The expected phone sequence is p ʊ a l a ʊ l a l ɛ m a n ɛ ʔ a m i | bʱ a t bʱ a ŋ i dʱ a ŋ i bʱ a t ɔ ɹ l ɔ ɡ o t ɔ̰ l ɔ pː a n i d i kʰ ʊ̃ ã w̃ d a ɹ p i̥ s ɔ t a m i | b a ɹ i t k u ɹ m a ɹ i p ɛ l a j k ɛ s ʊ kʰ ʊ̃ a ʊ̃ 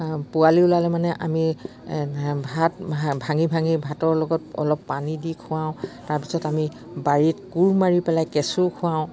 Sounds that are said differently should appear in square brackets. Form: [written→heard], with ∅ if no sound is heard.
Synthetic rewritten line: p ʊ a l [a→i] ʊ l a l ɛ m a n ɛ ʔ a m i | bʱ a t bʱ a ŋ i [dʱ→bʱ] a ŋ i bʱ a t ɔ ɹ l ɔ ɡ [o→ɔ] t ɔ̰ l ɔ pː a n i d i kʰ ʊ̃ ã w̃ [d→t] a ɹ p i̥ s ɔ t a m i | b a ɹ i t k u ɹ m a ɹ i p ɛ l a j k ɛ s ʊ kʰ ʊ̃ a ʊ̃